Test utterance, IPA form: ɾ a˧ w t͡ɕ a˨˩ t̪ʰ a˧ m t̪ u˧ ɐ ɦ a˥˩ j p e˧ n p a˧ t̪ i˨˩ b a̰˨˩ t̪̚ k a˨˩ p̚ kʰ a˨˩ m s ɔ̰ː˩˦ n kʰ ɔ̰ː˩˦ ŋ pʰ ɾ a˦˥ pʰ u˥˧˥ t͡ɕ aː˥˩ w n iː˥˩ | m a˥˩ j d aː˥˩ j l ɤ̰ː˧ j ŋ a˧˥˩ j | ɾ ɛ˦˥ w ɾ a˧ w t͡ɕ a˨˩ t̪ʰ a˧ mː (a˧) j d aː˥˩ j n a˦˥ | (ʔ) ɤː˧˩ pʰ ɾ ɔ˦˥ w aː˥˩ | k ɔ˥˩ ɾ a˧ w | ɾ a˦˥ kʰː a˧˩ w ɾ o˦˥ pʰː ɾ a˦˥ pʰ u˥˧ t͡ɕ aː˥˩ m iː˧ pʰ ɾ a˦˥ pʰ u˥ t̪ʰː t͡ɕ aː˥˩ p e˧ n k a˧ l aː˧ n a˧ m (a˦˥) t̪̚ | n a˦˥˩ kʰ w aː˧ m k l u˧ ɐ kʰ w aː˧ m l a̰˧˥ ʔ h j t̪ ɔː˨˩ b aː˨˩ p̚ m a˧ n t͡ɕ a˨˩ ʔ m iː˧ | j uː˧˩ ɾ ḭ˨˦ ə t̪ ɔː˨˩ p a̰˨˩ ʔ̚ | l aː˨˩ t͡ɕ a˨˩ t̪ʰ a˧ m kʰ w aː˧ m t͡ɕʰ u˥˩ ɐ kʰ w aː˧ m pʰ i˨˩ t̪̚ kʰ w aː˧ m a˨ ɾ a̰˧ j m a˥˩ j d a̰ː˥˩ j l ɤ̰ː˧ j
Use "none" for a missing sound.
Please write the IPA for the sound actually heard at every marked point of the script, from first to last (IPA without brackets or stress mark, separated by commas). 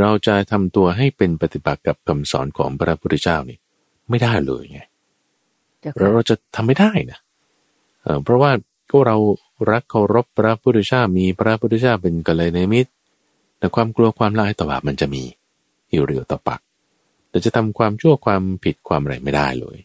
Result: a˥˩, ʔ, i˦˥